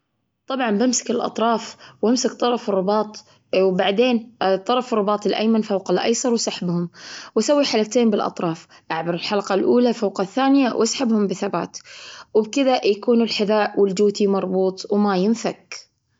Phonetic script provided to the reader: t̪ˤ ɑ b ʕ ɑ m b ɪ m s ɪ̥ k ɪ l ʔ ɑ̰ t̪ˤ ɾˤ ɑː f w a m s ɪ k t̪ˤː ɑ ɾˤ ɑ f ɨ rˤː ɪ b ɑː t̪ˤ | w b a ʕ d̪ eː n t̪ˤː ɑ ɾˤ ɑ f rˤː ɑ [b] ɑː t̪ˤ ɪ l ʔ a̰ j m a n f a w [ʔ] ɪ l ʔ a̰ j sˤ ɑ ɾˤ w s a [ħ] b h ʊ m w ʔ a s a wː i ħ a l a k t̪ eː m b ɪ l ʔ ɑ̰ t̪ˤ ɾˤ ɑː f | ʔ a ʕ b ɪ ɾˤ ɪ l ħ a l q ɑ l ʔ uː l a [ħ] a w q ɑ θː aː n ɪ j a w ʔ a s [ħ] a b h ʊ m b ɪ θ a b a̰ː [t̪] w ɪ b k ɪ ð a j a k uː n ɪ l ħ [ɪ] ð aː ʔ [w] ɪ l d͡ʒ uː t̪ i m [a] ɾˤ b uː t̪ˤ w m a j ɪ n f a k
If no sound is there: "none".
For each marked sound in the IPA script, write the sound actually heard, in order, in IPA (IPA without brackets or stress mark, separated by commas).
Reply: b, q, ħ, f, ħ, t̪, ɪ, w, ɑ